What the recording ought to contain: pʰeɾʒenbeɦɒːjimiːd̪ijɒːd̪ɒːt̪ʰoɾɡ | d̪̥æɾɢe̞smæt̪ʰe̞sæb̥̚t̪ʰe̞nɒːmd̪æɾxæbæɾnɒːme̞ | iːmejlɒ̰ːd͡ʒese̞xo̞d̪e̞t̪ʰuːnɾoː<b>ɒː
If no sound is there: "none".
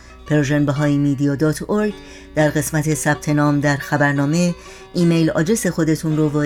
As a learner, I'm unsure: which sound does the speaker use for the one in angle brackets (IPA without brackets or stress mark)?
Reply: v